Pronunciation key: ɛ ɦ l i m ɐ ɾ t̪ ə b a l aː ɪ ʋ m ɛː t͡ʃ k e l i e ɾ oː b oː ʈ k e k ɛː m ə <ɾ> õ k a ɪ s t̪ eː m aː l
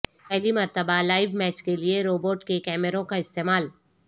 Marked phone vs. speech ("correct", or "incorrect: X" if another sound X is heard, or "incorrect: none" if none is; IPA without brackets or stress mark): correct